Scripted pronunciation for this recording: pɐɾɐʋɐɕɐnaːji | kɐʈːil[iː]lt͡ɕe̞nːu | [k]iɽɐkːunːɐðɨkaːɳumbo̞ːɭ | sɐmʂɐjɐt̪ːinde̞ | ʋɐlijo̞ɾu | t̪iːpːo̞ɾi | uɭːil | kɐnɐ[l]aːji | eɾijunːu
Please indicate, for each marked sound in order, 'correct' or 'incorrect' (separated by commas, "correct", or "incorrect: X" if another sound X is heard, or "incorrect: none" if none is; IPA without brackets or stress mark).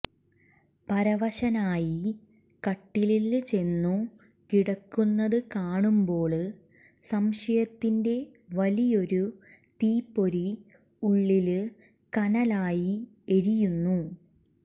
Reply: incorrect: i, correct, correct